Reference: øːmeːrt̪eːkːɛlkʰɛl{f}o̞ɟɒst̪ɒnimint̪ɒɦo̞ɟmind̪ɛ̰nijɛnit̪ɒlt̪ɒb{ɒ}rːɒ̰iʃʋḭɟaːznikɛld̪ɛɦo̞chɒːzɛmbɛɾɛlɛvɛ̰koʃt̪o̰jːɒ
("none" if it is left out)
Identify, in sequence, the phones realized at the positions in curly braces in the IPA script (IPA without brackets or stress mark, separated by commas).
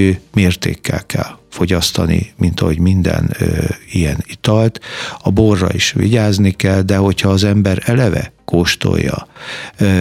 f, o